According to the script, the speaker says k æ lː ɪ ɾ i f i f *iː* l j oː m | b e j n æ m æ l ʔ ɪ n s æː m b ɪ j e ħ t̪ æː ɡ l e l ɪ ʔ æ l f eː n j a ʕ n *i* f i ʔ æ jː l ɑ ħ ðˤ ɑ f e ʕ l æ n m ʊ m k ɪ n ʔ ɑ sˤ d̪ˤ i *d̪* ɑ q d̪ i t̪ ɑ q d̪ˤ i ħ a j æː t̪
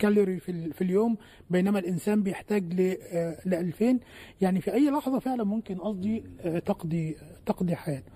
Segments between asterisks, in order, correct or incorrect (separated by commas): incorrect, correct, incorrect